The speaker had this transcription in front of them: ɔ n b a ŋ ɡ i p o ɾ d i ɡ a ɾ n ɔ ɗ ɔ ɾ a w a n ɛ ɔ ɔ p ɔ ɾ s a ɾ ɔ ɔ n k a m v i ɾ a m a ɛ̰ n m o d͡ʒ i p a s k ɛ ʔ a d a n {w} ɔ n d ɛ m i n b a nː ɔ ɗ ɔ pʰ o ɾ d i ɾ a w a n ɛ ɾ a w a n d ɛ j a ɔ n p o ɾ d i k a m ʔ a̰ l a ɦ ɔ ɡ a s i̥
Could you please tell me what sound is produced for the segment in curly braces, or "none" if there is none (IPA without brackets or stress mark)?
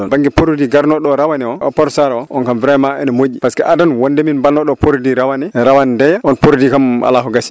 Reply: w